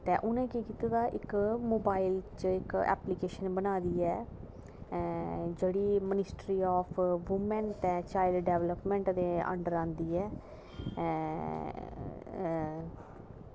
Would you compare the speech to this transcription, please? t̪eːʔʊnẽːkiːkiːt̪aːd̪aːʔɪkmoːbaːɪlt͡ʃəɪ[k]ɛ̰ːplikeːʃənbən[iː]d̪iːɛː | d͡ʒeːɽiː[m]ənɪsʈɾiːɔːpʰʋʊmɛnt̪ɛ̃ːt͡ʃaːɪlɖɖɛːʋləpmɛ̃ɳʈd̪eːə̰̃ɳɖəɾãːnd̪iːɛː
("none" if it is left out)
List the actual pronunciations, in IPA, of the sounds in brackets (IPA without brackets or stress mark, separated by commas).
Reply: k, aː, m